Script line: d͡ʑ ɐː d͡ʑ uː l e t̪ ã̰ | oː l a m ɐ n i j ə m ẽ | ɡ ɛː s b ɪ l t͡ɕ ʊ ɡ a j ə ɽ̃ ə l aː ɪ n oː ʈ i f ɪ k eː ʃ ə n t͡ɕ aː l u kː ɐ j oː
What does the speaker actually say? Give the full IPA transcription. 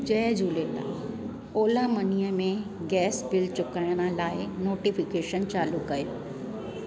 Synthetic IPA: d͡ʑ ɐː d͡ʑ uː l e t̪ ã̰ | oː l a m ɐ n i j ə m ẽ | ɡ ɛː s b ɪ l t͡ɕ ʊ k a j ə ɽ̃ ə l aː ɪ n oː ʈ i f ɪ k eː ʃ ə n t͡ɕ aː l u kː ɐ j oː